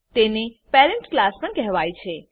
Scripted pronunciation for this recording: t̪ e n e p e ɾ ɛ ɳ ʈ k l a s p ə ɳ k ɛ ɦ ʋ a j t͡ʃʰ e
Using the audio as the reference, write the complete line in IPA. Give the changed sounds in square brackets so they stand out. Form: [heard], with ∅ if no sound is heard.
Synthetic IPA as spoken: t̪ e n e p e ɾ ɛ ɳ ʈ k l a s p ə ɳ k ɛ ɦ ʋ a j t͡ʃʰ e